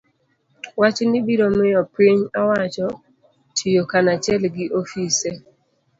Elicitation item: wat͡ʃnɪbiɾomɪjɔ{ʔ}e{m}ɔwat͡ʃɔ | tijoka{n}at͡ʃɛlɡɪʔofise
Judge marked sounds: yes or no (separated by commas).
no, no, yes